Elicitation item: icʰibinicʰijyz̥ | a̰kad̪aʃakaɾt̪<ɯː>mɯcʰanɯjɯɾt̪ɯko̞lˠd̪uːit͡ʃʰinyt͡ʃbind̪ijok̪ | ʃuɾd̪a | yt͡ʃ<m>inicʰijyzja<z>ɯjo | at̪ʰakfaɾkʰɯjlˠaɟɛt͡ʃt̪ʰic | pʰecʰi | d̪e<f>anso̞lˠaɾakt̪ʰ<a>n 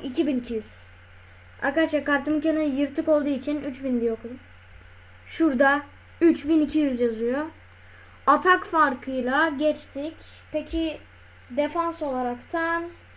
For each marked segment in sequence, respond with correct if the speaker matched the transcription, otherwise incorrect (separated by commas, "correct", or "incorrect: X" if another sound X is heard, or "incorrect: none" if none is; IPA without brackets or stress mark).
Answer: incorrect: ɯ, incorrect: b, correct, correct, correct